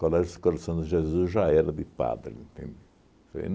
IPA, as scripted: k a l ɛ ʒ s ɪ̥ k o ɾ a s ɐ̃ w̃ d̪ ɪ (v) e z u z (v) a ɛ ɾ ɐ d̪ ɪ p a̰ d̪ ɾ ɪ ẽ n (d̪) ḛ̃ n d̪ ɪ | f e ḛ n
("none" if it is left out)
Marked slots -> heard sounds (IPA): ʒ, ʒ, t̪

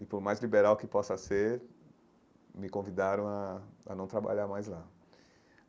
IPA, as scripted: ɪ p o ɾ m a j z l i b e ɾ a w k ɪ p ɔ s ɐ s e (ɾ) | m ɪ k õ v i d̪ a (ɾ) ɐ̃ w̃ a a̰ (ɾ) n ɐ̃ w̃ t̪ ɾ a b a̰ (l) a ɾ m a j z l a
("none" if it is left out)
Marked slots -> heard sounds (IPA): ɾ, ɾ, none, ʎ

